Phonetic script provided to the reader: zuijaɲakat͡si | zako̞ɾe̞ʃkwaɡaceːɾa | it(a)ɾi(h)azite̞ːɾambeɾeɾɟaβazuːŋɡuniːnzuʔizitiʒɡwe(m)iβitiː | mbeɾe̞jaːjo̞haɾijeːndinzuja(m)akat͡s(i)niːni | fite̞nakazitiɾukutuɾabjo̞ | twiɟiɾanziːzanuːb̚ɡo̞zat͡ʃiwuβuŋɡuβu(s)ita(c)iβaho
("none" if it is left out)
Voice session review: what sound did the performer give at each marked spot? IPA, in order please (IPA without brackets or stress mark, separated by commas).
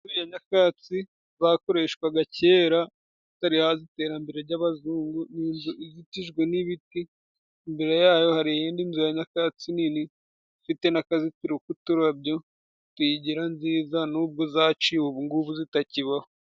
a, h, n, ɲ, i, z, c